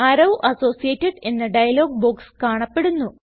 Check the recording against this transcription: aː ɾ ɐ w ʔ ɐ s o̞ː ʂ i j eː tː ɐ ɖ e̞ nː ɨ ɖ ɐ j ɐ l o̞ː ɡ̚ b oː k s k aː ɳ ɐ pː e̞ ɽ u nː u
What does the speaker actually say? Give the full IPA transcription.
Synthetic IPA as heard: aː ɾ ɐ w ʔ ɐ s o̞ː s i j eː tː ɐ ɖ e̞ nː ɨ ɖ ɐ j ɐ l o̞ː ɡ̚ b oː k s k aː ɳ ɐ pː e̞ ɽ u nː u